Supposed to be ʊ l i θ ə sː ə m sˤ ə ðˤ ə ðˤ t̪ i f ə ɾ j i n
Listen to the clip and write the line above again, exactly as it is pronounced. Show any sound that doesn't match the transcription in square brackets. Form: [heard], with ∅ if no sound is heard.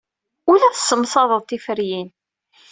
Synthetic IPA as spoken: ʊ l [æ] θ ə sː ə m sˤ [ɑ] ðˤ ə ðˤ t̪ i f ə ɾ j i n